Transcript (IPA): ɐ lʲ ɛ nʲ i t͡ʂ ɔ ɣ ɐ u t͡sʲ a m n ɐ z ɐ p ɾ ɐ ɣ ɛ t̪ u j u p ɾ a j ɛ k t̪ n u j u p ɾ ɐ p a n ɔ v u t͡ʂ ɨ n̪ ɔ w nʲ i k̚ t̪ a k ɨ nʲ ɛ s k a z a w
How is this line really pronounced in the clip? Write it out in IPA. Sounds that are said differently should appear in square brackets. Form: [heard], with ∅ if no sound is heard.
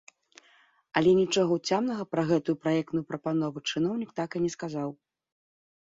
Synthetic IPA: ɐ lʲ ɛ nʲ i t͡ʂ ɔ ɣ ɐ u t͡sʲ a m n ɐ [ɣ] ɐ p ɾ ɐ ɣ ɛ t̪ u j u p ɾ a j ɛ k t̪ n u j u p ɾ ɐ p a n ɔ v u t͡ʂ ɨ n̪ ɔ w nʲ i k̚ t̪ a k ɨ nʲ ɛ s k a z a w